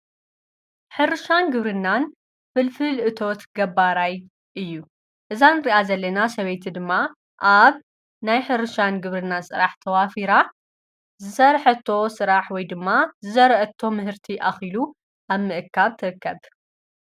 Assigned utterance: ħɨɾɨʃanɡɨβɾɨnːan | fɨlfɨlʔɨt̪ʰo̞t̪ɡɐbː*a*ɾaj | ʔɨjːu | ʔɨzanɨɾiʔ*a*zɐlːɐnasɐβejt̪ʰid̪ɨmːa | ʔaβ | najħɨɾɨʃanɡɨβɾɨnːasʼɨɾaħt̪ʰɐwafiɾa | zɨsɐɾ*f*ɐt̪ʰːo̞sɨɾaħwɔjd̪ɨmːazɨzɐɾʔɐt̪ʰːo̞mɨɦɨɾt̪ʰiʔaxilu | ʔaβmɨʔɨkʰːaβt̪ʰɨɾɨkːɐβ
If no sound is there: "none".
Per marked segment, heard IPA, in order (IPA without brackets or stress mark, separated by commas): a, a, ħ